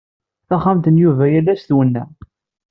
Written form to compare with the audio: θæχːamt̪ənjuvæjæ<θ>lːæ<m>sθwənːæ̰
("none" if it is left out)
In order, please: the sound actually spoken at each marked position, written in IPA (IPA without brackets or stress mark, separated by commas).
none, none